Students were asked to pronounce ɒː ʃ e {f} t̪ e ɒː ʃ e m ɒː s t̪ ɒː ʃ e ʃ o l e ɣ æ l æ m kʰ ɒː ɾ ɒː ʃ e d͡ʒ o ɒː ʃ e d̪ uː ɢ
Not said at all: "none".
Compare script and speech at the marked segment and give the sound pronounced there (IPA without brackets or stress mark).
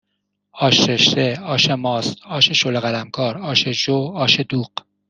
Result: ʃ